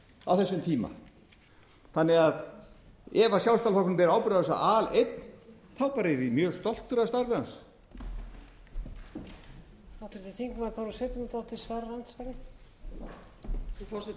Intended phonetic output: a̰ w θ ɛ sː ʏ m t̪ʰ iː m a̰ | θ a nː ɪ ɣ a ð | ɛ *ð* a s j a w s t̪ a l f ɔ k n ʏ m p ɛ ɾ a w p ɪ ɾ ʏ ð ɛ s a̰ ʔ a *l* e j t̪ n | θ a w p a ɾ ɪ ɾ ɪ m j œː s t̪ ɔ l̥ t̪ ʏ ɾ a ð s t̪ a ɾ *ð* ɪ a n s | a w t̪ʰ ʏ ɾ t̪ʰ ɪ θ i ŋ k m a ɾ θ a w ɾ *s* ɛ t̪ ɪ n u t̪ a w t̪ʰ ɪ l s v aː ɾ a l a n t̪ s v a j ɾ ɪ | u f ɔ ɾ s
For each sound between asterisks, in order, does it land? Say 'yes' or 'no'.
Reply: no, yes, no, yes

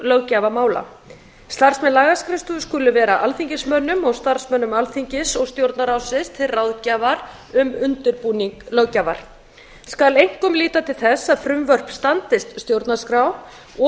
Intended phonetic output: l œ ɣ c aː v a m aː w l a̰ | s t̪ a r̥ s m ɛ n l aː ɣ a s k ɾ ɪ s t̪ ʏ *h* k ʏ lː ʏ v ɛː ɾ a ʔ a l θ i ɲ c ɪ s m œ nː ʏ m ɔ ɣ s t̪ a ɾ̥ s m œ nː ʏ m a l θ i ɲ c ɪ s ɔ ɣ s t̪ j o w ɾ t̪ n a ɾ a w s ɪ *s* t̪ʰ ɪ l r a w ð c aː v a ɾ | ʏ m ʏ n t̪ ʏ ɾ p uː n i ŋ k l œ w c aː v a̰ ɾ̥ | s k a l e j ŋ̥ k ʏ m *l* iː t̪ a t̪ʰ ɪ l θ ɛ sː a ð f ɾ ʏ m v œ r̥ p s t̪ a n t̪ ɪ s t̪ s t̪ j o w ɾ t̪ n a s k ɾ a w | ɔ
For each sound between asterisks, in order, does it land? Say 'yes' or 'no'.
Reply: no, yes, yes

